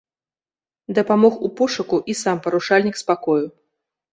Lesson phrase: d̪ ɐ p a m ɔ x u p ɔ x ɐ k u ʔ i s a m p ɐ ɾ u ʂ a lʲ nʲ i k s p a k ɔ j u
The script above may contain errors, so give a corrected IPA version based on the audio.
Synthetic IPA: d̪ ɐ p a m ɔ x u p ɔ ʂ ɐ k u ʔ i s a m p ɐ ɾ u ʂ a lʲ nʲ i k s p a k ɔ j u